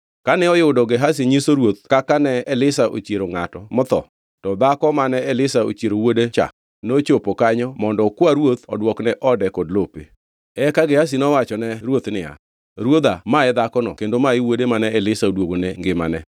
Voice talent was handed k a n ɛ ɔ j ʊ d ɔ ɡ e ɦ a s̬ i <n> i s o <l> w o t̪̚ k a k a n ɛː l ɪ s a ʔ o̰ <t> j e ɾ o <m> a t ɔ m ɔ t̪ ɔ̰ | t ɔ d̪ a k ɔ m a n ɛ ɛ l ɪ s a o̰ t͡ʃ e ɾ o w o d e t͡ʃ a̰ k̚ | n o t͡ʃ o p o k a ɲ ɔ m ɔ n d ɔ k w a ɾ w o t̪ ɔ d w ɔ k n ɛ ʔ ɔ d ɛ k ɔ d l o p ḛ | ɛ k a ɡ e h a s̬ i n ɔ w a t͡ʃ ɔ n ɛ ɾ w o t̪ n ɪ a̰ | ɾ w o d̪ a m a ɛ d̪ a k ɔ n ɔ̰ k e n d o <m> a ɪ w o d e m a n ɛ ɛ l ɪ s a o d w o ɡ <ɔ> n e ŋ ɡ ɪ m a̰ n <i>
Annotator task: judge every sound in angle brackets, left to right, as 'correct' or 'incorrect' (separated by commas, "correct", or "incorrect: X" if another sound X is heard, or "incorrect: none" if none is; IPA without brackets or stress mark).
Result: incorrect: ɲ, incorrect: ɾ, incorrect: t͡ʃ, incorrect: ŋ, correct, incorrect: o, incorrect: ɛ